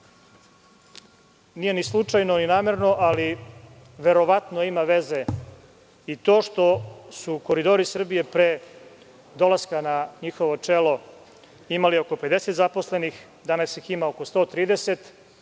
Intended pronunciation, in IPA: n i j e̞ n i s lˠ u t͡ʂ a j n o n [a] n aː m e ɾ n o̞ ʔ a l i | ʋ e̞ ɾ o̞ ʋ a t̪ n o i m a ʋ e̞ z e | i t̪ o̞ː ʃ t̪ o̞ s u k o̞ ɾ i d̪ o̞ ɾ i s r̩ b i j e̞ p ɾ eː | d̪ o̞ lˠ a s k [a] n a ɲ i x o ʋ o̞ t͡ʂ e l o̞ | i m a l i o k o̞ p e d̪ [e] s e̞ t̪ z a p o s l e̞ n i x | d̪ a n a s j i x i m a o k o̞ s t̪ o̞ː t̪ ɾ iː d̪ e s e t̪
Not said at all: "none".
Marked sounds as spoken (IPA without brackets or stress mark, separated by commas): i, a, e